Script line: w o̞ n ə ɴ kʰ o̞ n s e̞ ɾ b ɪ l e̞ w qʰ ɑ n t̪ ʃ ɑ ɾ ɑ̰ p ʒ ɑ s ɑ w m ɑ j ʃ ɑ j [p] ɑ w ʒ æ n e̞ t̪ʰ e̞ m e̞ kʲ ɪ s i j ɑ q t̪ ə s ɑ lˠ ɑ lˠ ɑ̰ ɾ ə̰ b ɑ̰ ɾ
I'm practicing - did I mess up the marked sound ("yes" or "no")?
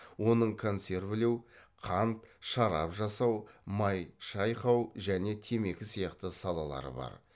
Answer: yes